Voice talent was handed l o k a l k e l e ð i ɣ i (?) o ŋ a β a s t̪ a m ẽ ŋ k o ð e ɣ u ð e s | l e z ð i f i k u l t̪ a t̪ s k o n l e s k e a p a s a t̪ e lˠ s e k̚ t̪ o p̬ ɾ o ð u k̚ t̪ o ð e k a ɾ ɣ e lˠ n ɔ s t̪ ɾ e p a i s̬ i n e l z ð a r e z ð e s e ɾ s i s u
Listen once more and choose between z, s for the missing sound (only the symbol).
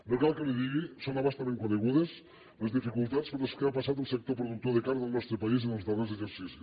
s